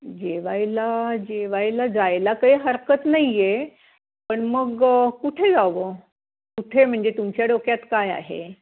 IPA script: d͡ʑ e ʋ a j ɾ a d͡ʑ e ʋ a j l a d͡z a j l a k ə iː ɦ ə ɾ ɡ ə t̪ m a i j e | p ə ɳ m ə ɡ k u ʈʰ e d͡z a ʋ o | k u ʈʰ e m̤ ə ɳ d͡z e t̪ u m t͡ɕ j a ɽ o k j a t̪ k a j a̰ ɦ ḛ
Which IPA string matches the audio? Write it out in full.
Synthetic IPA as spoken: d͡ʑ e ʋ a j l a d͡ʑ e ʋ a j l a d͡z a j l a k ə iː ɦ ə ɾ k ə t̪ n a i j e | p ə ɳ m ə ɡ k u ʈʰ e d͡z a ʋ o | k u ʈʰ e m̤ ə ɳ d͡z e t̪ u m t͡ɕ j a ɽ o k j a t̪ k a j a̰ ɦ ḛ